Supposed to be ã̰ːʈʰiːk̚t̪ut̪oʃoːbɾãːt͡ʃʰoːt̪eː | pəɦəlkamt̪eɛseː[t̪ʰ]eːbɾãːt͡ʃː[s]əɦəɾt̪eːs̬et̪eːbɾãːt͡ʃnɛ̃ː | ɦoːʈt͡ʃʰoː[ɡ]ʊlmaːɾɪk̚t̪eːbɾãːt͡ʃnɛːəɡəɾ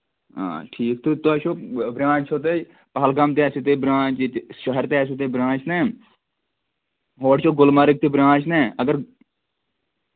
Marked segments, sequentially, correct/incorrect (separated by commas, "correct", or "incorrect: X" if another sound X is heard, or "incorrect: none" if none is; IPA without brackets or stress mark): incorrect: t̪, incorrect: ʃ, correct